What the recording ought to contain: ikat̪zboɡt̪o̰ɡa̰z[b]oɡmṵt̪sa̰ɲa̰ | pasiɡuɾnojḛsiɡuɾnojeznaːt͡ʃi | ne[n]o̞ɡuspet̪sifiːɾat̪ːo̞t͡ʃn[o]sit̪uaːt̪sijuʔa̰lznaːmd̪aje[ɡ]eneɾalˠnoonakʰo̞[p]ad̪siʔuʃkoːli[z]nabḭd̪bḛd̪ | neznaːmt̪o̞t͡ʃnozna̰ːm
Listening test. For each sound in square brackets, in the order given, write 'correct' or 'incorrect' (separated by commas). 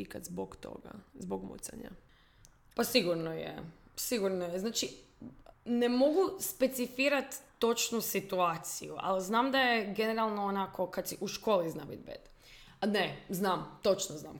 correct, incorrect, incorrect, correct, incorrect, correct